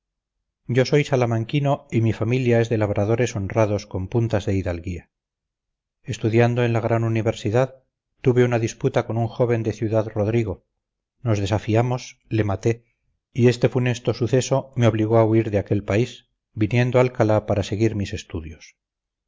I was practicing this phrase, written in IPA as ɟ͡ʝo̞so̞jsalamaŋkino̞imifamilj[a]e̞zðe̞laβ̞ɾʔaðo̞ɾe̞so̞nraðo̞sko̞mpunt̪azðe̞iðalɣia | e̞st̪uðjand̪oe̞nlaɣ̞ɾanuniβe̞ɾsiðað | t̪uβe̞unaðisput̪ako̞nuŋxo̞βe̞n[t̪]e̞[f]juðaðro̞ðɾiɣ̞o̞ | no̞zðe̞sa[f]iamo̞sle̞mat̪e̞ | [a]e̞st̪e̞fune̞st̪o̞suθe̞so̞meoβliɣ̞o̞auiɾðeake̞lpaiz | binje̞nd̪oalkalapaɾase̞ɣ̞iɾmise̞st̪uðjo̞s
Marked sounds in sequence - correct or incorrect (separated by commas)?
correct, incorrect, incorrect, correct, incorrect